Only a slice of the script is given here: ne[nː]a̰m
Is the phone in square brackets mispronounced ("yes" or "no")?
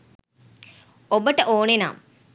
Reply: yes